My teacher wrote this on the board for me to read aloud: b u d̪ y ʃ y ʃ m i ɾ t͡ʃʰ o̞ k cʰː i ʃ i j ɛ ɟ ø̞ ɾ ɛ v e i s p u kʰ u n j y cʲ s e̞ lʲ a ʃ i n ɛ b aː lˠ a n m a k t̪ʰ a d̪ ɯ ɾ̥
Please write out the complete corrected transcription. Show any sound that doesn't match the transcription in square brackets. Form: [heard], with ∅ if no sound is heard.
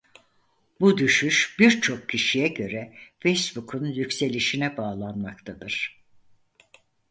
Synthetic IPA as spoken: b u d̪ y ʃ y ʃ [b] i ɾ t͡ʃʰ o̞ k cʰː i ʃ i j ɛ ɟ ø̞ ɾ ɛ [f] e [j] s [b] u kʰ u n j y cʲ s e̞ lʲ [i] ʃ i n ɛ b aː lˠ a n m a k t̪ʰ a d̪ ɯ ɾ̥